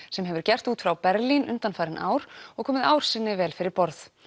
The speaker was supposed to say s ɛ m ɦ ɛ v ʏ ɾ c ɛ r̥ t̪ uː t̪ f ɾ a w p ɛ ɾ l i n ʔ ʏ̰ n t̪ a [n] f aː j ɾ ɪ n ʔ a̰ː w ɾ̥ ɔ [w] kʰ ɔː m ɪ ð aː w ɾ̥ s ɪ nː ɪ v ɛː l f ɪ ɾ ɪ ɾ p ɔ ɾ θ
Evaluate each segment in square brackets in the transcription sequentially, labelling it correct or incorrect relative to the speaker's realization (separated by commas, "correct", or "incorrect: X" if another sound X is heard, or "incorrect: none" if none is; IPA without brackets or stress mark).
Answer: correct, incorrect: ɣ